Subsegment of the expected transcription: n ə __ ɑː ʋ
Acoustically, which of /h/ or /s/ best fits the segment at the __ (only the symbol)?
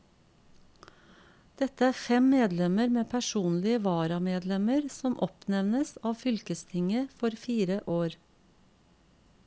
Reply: s